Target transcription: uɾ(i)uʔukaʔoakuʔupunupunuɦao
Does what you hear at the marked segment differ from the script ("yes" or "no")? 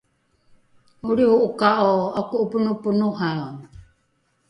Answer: no